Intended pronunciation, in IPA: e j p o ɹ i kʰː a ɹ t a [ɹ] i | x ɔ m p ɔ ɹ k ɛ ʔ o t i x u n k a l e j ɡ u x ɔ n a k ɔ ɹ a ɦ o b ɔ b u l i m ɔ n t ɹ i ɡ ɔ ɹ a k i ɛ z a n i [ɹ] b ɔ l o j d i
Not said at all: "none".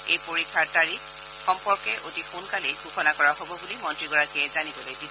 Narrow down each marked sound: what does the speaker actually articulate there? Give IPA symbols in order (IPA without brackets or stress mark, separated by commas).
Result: ɹ, none